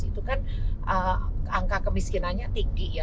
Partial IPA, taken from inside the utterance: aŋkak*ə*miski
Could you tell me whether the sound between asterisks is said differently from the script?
no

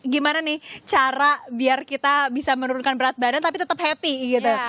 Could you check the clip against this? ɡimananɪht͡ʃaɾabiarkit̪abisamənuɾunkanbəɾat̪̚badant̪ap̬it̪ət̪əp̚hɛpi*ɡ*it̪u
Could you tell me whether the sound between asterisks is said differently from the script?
no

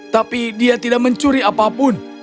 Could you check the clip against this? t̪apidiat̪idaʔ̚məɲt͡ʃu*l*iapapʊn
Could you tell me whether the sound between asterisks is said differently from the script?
yes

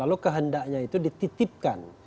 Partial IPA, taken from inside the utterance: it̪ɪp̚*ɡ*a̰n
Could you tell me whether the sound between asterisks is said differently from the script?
yes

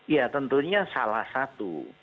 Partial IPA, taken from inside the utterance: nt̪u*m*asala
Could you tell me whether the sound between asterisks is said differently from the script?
yes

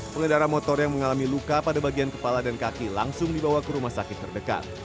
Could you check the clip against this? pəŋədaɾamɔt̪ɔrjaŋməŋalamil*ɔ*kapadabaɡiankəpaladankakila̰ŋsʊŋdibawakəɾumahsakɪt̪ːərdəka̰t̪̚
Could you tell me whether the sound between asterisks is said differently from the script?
yes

